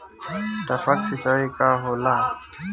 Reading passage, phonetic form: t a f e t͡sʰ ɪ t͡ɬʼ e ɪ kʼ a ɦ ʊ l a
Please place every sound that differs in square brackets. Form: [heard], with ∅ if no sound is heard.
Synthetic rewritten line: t a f [a] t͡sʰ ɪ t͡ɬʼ [a] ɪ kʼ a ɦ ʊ l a